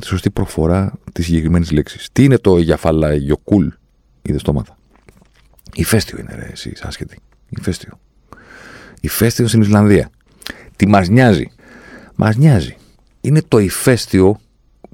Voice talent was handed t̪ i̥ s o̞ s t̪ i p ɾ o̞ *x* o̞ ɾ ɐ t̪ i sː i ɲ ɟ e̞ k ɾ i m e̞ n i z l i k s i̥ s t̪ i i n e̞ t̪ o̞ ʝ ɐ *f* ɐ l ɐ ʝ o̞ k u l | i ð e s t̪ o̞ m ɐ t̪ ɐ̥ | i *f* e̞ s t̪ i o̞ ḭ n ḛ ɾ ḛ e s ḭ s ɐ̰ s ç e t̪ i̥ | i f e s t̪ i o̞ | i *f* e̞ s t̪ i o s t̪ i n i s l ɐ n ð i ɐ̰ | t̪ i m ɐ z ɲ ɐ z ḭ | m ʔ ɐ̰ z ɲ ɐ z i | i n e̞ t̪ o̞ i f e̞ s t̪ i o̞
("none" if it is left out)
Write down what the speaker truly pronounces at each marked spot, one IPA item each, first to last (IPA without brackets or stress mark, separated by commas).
f, f, f, f